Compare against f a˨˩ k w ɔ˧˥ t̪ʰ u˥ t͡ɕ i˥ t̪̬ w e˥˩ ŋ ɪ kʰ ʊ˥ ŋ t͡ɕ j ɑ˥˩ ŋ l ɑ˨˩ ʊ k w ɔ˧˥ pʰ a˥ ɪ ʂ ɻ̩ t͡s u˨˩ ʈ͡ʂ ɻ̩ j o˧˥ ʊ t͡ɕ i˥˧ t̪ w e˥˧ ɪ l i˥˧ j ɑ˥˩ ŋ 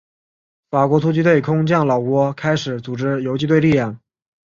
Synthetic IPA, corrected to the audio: f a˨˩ k w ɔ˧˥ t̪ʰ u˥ t͡ɕ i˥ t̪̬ w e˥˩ ɪ kʰ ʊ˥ ŋ t͡ɕ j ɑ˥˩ ŋ l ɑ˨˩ ʊ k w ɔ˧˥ kʰ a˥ ɪ ʂ ɻ̩ t͡s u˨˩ ʈ͡ʂ ɻ̩ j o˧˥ ʊ t͡ɕ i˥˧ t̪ w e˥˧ ɪ l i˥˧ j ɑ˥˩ ŋ